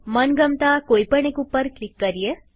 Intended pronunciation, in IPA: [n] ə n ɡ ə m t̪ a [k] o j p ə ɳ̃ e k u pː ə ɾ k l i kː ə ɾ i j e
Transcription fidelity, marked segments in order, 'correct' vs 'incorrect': incorrect, correct

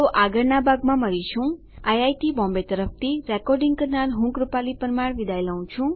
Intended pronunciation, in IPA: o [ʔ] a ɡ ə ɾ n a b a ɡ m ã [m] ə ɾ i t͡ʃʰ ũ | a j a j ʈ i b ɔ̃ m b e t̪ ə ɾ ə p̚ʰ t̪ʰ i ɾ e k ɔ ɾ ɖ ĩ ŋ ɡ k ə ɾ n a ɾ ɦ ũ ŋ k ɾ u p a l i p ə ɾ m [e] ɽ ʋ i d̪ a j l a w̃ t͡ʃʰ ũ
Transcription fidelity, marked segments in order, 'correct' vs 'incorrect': correct, correct, incorrect

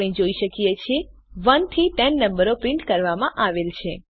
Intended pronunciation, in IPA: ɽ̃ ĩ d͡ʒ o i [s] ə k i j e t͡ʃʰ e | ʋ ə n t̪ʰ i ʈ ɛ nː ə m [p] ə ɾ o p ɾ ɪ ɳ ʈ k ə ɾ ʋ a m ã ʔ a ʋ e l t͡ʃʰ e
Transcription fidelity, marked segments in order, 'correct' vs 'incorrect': incorrect, incorrect

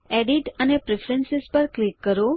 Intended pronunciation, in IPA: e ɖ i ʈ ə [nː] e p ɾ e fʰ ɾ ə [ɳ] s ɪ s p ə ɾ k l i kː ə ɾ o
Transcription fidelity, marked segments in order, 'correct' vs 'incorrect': incorrect, incorrect

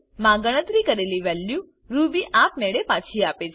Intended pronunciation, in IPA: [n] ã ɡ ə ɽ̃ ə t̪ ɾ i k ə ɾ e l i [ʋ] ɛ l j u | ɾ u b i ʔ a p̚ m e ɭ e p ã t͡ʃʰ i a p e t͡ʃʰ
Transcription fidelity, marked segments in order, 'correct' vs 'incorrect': incorrect, correct

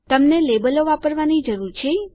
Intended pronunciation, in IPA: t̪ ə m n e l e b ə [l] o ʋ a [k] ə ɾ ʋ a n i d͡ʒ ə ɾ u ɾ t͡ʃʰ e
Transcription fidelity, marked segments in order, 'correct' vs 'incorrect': correct, incorrect

